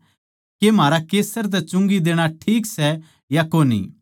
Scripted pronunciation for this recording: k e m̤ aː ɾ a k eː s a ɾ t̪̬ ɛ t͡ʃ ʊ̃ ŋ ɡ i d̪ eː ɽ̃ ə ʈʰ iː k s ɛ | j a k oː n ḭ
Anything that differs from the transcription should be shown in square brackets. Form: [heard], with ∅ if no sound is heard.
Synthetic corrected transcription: k e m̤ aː ɾ a k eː s [ə] ɾ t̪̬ ɛ t͡ʃ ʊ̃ ŋ ɡ i d̪ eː ɽ̃ [a] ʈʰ iː k s ɛ | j a k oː n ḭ